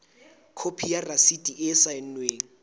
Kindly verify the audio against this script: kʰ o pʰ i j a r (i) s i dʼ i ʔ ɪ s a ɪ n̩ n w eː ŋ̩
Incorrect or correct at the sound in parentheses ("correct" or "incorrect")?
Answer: incorrect